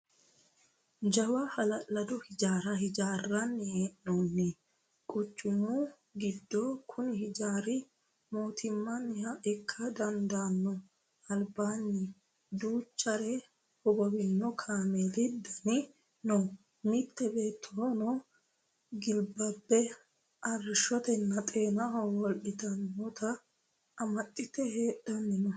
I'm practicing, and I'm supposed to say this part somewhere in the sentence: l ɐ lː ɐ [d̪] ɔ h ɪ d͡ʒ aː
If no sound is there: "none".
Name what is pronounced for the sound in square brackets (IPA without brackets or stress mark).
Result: d̪